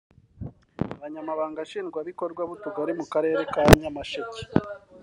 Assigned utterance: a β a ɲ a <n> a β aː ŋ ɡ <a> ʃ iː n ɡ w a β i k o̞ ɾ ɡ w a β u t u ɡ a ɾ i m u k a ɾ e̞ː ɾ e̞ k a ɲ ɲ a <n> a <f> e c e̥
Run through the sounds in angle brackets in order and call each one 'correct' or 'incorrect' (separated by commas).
incorrect, correct, incorrect, incorrect